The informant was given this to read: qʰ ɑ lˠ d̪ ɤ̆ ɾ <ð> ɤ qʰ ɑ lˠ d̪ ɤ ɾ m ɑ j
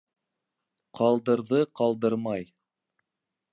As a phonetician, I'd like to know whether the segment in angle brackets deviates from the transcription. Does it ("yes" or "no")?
no